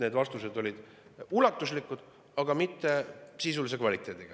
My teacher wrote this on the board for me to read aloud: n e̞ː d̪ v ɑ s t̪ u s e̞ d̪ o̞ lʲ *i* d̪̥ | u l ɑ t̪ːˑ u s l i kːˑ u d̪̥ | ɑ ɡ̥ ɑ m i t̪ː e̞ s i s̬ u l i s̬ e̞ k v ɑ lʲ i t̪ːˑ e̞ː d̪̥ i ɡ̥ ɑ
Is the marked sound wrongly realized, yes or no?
no